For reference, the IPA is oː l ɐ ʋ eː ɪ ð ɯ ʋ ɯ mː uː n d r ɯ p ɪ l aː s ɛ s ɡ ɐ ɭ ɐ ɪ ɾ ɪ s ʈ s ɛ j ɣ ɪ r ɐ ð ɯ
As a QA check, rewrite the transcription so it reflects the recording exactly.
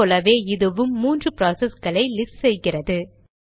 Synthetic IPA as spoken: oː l ɐ ʋ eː ɪ ð ɯ ʋ ɯ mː uː n d r ɯ p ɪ ɾ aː s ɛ s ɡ ɐ ɭ ɐ ɪ l ɪ s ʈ s ɛ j ɣ ɪ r ɐ ð ɯ